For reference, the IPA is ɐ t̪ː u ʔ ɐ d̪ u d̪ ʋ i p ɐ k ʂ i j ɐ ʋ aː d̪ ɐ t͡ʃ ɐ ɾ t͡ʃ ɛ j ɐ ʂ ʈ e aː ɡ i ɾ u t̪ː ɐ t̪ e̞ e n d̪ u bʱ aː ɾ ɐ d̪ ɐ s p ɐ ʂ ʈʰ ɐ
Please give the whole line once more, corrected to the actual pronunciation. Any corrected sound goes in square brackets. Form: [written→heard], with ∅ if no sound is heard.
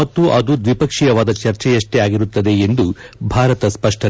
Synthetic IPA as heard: ɐ t̪ː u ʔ ɐ d̪ u d̪ ʋ i p ɐ k ʂ i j ɐ ʋ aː d̪ ɐ t͡ʃ ɐ ɾ t͡ʃ ɛ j ɐ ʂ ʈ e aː ɡ i ɾ u t̪ː ɐ [t̪→d̪] e̞ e n d̪ u bʱ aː ɾ ɐ [d̪→t̪] ɐ s p ɐ ʂ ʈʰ ɐ

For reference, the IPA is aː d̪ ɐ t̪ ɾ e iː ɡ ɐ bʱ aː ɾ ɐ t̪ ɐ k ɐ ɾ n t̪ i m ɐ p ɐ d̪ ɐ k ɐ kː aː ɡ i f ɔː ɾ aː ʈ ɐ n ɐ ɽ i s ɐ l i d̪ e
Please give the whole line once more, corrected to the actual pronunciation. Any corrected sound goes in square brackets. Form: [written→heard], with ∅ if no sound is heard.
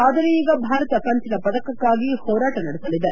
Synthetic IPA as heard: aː d̪ ɐ [t̪→∅] ɾ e iː ɡ ɐ bʱ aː ɾ ɐ t̪ ɐ k ɐ [ɾ→∅] n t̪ i [m→n] ɐ p ɐ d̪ ɐ k ɐ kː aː ɡ i [f→h] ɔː ɾ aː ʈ ɐ n ɐ ɽ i s ɐ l i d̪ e

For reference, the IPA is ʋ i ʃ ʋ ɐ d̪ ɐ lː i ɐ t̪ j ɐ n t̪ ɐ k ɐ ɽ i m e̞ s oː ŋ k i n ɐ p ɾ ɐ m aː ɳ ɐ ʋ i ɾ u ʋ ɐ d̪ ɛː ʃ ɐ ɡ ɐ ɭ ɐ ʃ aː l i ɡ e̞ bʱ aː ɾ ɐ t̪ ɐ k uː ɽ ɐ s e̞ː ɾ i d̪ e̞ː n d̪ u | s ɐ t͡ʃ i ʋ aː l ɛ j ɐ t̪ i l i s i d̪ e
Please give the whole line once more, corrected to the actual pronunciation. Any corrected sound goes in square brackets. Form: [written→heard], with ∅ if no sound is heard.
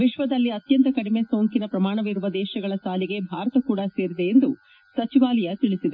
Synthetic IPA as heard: ʋ i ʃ ʋ ɐ d̪ ɐ lː i ɐ t̪ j ɐ n t̪ ɐ k ɐ ɽ i m e̞ s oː ŋ k i n ɐ p ɾ ɐ m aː ɳ ɐ ʋ i ɾ u ʋ ɐ d̪ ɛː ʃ ɐ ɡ ɐ ɭ ɐ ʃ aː l i ɡ e̞ bʱ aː ɾ ɐ t̪ ɐ k uː ɽ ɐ s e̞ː ɾ i d̪ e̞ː n d̪ u | s ɐ t͡ʃ i ʋ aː l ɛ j ɐ t̪ i [l→ɭ] i s i d̪ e

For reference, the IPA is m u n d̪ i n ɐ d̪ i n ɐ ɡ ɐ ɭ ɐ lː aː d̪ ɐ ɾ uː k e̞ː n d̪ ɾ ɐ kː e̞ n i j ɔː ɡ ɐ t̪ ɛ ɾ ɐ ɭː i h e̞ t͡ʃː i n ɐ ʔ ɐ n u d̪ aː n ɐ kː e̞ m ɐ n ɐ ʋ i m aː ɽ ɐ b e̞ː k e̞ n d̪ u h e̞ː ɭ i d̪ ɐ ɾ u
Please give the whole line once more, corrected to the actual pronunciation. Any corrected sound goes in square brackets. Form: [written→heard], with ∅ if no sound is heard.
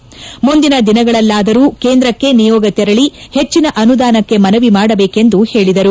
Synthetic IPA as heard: m u n d̪ i n ɐ d̪ i n ɐ ɡ ɐ ɭ ɐ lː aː d̪ ɐ ɾ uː k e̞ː n d̪ ɾ ɐ kː e̞ n i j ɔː ɡ ɐ t̪ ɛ ɾ ɐ [ɭː→ɭ] i h e̞ t͡ʃː i n ɐ ʔ ɐ n u d̪ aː n ɐ kː e̞ m ɐ n ɐ ʋ i m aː ɽ ɐ b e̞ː k e̞ n d̪ u h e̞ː ɭ i d̪ ɐ ɾ u

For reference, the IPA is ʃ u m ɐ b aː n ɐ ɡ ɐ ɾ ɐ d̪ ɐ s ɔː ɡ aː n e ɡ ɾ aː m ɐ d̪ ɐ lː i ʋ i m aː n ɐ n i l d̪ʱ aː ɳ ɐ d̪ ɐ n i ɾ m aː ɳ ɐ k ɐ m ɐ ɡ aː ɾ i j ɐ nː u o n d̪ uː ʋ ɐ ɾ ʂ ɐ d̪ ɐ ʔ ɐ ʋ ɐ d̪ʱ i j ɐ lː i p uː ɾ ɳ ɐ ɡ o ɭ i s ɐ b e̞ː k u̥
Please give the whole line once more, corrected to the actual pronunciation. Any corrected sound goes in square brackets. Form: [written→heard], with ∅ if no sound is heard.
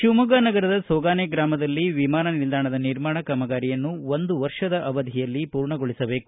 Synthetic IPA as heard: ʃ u m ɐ [b→ɡ] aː n ɐ ɡ ɐ ɾ ɐ d̪ ɐ s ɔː ɡ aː n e ɡ ɾ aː m ɐ d̪ ɐ lː i ʋ i m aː n ɐ n i l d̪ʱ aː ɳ ɐ d̪ ɐ n i ɾ m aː ɳ ɐ k ɐ m ɐ ɡ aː ɾ i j ɐ nː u o n d̪ [uː→u] ʋ ɐ ɾ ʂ ɐ d̪ ɐ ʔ ɐ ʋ ɐ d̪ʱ i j ɐ lː i p uː ɾ ɳ ɐ ɡ o ɭ i s ɐ b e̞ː k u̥

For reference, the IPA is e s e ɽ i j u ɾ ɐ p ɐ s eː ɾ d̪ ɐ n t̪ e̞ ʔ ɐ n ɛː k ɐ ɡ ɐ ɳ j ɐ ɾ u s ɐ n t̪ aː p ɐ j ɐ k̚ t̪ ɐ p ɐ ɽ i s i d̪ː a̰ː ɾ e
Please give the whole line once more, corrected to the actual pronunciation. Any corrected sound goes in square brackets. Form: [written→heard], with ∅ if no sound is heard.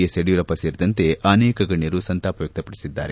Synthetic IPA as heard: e s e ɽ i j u ɾ ɐ p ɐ s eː ɾ d̪ ɐ n t̪ e̞ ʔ ɐ n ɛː k ɐ ɡ ɐ ɳ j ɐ ɾ u s ɐ n t̪ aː p ɐ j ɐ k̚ t̪ ɐ p ɐ ɽ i s i d̪ː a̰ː ɾ e

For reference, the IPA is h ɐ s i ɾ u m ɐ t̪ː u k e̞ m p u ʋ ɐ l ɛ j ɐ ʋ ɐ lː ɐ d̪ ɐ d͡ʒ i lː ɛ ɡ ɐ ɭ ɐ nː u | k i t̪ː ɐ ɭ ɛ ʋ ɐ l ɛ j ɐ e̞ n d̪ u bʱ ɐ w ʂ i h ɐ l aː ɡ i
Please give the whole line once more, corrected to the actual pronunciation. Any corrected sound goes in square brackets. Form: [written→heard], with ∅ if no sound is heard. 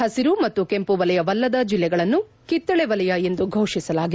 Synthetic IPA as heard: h ɐ s i ɾ u m ɐ t̪ː u k e̞ m p u ʋ ɐ l ɛ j ɐ ʋ ɐ lː ɐ d̪ ɐ d͡ʒ i lː ɛ ɡ ɐ ɭ ɐ nː u | k i t̪ː ɐ ɭ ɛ ʋ ɐ l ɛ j ɐ e̞ n d̪ u [bʱ→ɡʱ] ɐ w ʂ i [h→s] ɐ l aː ɡ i

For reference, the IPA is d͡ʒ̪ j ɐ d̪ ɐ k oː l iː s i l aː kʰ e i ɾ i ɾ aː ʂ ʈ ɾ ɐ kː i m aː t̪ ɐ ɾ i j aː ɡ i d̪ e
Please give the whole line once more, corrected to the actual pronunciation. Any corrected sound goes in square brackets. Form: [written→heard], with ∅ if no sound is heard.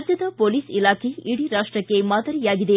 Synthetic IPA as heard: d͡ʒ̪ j ɐ d̪ ɐ [k→p] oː l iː s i l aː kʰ e i [ɾ→ɽ] i ɾ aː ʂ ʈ ɾ ɐ kː [i→e] m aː [t̪→d̪] ɐ ɾ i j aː ɡ i d̪ e

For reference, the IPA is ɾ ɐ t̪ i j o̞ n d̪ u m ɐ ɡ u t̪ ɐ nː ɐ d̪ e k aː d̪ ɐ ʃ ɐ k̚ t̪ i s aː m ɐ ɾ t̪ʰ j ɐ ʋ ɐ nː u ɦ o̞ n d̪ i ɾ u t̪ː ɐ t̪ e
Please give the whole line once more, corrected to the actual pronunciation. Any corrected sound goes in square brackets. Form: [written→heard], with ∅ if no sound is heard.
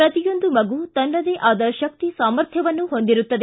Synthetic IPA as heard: ɾ ɐ t̪ i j o̞ n d̪ u m ɐ ɡ u t̪ ɐ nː ɐ d̪ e [k→ʔ] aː d̪ ɐ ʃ ɐ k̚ t̪ i s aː m ɐ ɾ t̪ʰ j ɐ ʋ ɐ nː u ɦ o̞ n d̪ i ɾ u t̪ː ɐ [t̪→d̪] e

